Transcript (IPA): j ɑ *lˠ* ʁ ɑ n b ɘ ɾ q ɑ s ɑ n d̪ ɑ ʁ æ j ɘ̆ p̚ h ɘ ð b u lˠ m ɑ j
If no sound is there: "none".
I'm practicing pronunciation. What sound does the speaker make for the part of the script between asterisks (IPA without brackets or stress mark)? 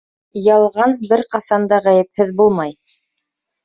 lˠ